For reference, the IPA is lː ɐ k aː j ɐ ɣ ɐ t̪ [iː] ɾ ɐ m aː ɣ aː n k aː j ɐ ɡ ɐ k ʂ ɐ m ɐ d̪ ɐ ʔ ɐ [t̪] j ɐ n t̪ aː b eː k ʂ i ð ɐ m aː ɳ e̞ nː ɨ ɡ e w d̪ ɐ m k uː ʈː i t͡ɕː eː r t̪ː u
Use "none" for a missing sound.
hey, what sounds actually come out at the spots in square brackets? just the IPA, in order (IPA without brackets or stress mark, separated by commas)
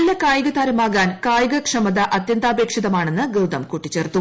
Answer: aː, t̪